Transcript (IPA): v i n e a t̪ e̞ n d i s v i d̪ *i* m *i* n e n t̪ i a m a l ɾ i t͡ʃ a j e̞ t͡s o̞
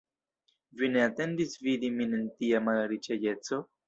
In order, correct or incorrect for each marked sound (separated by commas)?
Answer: correct, correct